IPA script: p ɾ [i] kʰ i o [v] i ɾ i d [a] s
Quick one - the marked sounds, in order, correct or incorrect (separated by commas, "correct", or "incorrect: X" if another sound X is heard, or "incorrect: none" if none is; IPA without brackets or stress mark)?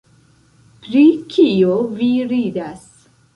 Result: correct, correct, correct